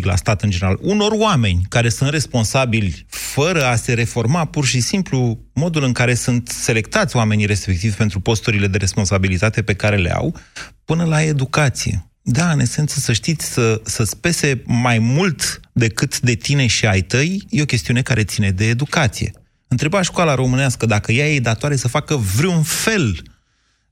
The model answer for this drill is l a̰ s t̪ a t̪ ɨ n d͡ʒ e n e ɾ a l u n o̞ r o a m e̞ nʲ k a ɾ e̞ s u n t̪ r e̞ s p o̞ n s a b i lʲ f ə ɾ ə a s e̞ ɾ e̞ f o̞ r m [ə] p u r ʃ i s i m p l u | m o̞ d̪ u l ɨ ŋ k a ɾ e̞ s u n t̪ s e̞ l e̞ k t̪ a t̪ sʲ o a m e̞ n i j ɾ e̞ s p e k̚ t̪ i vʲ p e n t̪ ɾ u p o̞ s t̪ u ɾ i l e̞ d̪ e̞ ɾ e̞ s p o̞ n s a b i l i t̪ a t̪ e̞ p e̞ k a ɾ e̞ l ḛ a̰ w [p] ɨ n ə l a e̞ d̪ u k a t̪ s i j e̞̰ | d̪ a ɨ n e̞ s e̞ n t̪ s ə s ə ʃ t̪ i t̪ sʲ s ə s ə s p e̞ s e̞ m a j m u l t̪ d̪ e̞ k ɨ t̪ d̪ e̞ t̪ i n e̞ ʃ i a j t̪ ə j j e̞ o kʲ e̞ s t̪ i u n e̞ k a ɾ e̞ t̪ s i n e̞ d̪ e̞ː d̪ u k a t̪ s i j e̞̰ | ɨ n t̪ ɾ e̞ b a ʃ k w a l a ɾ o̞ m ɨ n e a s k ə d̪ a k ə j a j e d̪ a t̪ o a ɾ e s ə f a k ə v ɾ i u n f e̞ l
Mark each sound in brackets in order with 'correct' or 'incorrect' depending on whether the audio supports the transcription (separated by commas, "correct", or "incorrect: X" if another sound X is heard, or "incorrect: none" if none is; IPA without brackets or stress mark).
incorrect: a, correct